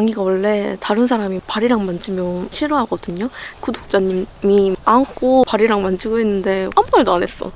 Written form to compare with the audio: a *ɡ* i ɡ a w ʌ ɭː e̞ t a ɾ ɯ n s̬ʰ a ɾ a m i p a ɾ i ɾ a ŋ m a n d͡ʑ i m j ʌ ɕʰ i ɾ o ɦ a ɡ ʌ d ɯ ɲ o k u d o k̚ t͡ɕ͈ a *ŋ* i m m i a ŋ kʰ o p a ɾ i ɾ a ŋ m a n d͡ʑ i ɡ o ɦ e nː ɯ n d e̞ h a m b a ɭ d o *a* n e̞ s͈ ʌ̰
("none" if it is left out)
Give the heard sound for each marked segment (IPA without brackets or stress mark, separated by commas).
ŋ, ɲ, a